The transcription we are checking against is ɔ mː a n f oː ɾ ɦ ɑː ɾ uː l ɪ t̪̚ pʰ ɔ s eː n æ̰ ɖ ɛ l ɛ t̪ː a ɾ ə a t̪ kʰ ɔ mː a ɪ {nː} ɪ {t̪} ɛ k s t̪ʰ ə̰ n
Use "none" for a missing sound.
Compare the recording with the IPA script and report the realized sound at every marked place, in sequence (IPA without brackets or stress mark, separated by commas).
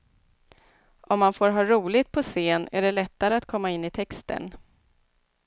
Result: nː, t̪ʰ